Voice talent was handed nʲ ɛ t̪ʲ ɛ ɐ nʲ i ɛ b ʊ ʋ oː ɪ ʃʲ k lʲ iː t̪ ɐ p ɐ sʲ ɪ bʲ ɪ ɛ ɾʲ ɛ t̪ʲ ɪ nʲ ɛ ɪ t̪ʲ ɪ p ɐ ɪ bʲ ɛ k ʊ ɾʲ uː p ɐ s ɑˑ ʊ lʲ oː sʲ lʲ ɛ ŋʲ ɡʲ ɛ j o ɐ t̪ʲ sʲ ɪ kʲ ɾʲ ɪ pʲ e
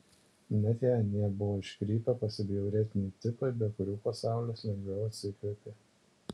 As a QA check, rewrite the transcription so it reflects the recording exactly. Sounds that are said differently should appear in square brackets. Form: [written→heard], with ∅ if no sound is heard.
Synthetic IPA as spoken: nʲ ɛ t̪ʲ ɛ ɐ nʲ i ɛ b ʊ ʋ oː ɪ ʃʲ k [lʲ→ɾʲ] iː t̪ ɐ p ɐ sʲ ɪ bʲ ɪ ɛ ɾʲ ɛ t̪ʲ ɪ nʲ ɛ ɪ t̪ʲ ɪ p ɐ ɪ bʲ ɛ k ʊ ɾʲ uː p ɐ s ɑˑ ʊ lʲ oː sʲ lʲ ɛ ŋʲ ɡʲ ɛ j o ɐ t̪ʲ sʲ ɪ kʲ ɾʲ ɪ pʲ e